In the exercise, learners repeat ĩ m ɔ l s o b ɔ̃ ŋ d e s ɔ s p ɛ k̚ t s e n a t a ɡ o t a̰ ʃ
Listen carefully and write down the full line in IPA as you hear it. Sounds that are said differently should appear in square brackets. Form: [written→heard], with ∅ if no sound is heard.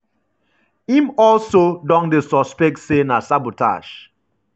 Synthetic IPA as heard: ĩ m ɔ l s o [b→d] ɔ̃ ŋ d e s ɔ s p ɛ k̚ t s e n a [t→s] a [ɡ→b] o t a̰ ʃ

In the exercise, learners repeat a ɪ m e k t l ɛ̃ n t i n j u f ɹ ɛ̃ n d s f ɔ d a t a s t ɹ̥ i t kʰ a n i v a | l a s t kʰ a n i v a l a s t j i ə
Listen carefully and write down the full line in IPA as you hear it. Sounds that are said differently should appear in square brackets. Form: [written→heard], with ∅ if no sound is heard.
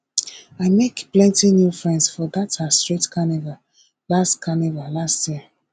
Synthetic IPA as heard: a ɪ m e k [t→p] l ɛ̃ n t i n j u f ɹ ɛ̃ n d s f ɔ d a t a s t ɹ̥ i t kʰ a n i v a | l a s t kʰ a n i v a l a s t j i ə

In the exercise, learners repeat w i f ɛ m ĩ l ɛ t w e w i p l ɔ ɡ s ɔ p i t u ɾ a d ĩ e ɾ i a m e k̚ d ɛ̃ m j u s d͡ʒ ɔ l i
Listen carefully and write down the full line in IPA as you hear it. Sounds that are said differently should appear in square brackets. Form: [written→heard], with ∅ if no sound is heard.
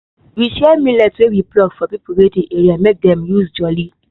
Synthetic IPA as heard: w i [f→ʃ] ɛ m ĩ l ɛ t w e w i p l ɔ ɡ [s→f] ɔ p i [t→p] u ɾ [a→e] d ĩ e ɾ i a m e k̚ d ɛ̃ m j u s d͡ʒ ɔ l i

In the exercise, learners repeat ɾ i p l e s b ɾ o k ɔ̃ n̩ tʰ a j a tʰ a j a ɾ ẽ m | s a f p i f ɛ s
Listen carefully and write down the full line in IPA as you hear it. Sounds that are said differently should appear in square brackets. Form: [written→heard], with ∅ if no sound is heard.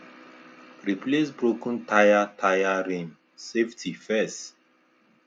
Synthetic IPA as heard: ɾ i p l e s b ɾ o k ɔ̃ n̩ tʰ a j a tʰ a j a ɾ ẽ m | s [a→e] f [p→t] i f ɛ s

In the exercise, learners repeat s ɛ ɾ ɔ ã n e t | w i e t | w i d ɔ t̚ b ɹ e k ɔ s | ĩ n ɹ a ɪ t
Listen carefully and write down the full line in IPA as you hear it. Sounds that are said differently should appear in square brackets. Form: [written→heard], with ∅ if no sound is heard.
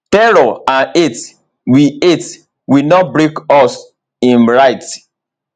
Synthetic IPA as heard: [s→t] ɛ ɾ ɔ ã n e t | w i e t | w i [d→n] ɔ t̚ b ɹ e k ɔ s | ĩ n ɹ a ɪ t

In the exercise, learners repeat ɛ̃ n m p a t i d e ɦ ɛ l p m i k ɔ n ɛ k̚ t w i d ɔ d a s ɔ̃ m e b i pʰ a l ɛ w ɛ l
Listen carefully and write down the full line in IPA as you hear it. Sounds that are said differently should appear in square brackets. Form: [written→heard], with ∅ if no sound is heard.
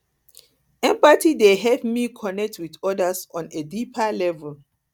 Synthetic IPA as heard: ɛ̃ [n→∅] m p a t i d e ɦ ɛ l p m i [k→kʰ] ɔ n ɛ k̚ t w i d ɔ d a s ɔ̃ [m→n] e [b→d] i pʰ a l ɛ [w→v] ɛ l

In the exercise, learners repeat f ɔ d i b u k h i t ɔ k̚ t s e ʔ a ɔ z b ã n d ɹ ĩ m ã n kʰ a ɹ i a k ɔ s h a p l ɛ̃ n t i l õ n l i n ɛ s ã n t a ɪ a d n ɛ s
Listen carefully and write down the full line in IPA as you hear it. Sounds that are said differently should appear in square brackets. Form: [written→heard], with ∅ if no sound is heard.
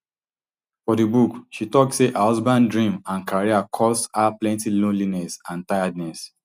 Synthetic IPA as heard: f ɔ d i b u k [h→ʃ] i t ɔ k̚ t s e ʔ a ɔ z b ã n d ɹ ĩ m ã n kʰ a ɹ i a [k→kʰ] ɔ s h a p l ɛ̃ n t i l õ n l i n ɛ s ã n t a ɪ a d n ɛ s

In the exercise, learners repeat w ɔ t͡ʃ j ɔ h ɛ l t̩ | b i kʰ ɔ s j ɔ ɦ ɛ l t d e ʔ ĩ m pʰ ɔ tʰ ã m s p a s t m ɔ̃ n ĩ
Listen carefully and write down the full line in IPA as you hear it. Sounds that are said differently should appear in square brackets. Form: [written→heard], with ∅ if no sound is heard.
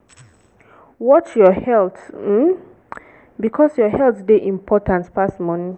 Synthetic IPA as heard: w ɔ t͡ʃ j ɔ h ɛ l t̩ | b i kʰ ɔ s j ɔ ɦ ɛ l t d e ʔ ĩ m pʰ ɔ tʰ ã [m→n] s p a s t m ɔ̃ n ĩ

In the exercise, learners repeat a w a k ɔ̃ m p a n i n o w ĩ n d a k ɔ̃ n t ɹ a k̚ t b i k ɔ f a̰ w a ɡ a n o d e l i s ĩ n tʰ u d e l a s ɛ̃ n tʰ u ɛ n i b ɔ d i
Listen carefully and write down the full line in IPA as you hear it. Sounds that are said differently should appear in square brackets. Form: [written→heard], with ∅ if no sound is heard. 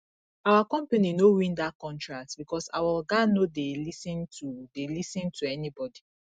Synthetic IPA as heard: a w a k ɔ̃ m p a n i n o w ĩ n d a k ɔ̃ n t ɹ a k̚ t b i k ɔ [f→s] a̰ w a ɡ a n o d e l i s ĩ n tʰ u d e l [a→i] s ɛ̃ n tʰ u ɛ n i b ɔ d i

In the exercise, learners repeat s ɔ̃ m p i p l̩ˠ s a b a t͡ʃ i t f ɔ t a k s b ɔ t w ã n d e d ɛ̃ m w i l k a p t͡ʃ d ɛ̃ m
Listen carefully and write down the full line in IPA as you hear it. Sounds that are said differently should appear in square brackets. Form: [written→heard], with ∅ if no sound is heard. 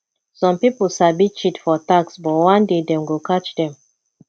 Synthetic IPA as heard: s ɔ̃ m p i p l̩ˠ s a b [a→i] t͡ʃ i t f ɔ t a k s b ɔ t w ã n d e d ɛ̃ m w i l k a [p→∅] t͡ʃ d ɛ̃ m

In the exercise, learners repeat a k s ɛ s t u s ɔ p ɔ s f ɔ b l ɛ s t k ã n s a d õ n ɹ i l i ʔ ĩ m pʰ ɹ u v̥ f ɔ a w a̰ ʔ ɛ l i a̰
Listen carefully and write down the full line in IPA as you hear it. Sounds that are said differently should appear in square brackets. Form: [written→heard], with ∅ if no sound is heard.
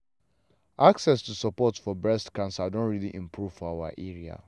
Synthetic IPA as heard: a k s ɛ s t u s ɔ p ɔ [s→t] f ɔ b [l→ɹ] ɛ s t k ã n s a d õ n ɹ i l i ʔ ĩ m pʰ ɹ u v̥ f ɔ a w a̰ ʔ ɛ [l→ɹ] i a̰

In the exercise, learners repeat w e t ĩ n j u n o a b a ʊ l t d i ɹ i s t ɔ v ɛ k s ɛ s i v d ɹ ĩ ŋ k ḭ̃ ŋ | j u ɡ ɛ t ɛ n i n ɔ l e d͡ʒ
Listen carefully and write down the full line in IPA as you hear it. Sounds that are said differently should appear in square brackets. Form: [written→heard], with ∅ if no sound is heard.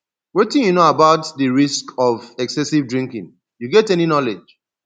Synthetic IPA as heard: w e t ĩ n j u n o a b a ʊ [l→∅] t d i ɹ i s [t→k] ɔ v ɛ k s ɛ s i v d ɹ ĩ ŋ k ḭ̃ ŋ | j u ɡ ɛ t ɛ n i n ɔ l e d͡ʒ

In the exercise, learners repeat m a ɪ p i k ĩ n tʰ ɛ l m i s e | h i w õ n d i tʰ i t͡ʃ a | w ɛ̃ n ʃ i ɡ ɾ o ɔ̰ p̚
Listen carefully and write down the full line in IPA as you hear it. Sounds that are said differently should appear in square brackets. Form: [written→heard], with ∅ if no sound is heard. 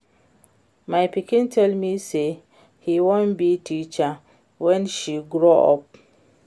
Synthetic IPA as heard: m a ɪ p i k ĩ n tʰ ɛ l m i s e | h i w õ n [d→b] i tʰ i t͡ʃ a | w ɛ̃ n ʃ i ɡ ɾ o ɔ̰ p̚

